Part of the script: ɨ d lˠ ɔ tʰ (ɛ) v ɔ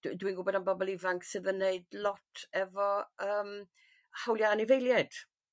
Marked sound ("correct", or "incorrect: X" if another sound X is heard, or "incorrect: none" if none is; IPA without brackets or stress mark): correct